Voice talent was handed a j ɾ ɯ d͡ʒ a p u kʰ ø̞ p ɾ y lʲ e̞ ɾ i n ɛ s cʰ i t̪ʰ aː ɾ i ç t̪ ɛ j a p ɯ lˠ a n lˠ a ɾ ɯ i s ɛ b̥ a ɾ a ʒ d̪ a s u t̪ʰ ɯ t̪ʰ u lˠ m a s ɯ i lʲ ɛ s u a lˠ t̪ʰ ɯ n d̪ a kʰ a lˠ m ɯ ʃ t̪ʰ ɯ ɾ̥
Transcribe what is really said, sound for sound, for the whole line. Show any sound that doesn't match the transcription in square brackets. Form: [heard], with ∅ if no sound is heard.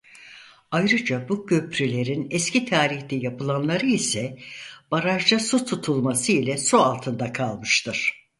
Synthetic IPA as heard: a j ɾ ɯ d͡ʒ a [b] u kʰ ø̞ p ɾ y lʲ e̞ ɾ i n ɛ s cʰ i t̪ʰ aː ɾ i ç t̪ ɛ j a p ɯ lˠ a n lˠ a ɾ ɯ i s ɛ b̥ a ɾ a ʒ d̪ a s u t̪ʰ [u] t̪ʰ u lˠ m a s ɯ i lʲ ɛ s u a lˠ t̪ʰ ɯ n d̪ a kʰ a lˠ m ɯ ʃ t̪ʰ ɯ ɾ̥